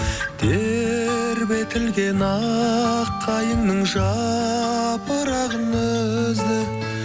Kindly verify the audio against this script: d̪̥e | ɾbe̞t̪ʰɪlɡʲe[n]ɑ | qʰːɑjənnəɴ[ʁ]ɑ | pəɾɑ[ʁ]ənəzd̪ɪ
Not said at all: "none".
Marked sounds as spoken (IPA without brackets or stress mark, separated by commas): n, ʒ, ʁ